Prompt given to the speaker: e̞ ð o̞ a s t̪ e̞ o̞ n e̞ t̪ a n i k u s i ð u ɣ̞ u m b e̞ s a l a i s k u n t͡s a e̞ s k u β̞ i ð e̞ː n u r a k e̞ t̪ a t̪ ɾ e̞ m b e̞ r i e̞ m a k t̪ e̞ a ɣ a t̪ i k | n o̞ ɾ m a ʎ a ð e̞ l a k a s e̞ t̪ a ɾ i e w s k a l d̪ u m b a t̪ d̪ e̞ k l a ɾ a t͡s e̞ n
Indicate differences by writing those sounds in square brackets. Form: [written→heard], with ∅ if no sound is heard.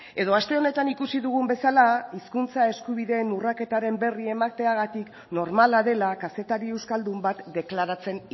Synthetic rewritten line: e̞ ð o̞ a s t̪ e̞ o̞ n e̞ t̪ a n i k u s i ð u ɣ̞ u m b e̞ s a l a i s k u n t͡s a e̞ s k u β̞ i ð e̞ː n u r a k e̞ t̪ a [t̪→∅] ɾ e̞ m b e̞ r i e̞ m a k t̪ e̞ a ɣ a t̪ i k | n o̞ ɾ m a [ʎ→l] a ð e̞ l a k a s e̞ t̪ a ɾ i e w s k a l d̪ u m b a t̪ d̪ e̞ k l a ɾ a t͡s e̞ n